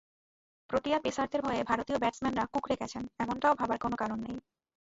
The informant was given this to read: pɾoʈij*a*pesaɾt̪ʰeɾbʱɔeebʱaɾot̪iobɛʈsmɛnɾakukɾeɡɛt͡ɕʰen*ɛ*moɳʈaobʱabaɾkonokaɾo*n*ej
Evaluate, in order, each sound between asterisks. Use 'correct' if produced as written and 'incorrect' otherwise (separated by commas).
correct, correct, incorrect